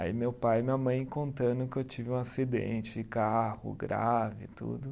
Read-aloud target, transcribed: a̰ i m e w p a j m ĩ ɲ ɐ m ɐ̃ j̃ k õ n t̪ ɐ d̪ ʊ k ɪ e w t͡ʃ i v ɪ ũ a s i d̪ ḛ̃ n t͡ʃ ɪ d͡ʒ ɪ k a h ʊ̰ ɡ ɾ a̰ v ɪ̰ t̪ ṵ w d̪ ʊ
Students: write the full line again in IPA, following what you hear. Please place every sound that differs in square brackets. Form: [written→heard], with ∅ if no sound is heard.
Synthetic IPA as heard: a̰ i m e w p a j m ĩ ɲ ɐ m ɐ̃ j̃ k õ n t̪ [ɐ→ɐ̃] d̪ ʊ k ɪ e w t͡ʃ i v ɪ ũ a s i d̪ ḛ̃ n t͡ʃ ɪ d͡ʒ ɪ k a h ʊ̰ ɡ ɾ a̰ v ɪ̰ t̪ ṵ [w→∅] d̪ ʊ